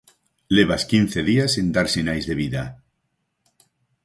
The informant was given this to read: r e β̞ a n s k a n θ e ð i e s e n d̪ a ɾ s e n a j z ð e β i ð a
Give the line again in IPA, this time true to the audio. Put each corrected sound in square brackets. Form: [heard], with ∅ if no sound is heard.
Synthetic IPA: [l] e β̞ a [∅] s k [i] n θ e ð i [a] s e n d̪ a ɾ s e n a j z ð e β i ð a